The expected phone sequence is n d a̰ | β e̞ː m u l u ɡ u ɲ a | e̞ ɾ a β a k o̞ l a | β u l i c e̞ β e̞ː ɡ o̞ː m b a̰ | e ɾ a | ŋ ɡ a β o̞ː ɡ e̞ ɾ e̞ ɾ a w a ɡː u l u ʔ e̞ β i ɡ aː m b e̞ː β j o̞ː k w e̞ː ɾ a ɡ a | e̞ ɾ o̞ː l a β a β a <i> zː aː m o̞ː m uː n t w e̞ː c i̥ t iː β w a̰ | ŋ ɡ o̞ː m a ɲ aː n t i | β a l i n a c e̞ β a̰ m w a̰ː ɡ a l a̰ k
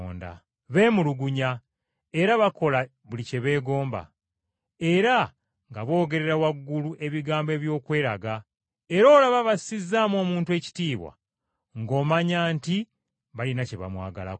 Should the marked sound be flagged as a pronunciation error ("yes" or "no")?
no